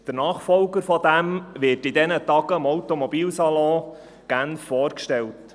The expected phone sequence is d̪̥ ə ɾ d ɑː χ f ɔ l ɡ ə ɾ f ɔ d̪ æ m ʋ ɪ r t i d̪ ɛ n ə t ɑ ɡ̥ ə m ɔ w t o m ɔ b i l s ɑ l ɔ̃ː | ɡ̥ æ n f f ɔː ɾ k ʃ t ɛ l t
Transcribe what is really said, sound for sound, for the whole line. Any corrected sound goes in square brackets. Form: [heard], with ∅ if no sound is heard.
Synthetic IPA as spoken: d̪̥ ə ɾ [n] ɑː χ f ɔ l ɡ ə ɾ f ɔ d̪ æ m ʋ ɪ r t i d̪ ɛ n ə t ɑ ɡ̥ ə m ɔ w t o m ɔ b [iː] l s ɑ l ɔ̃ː | ɡ̥ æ n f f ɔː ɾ k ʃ t ɛ l t